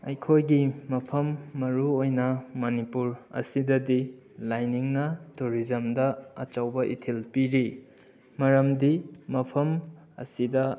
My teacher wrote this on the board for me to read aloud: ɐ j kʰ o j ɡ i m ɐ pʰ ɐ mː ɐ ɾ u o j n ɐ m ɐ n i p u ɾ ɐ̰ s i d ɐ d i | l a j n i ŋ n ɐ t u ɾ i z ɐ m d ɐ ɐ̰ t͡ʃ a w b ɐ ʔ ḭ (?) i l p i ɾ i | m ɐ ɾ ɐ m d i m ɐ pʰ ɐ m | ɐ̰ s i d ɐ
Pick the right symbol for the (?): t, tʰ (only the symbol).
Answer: tʰ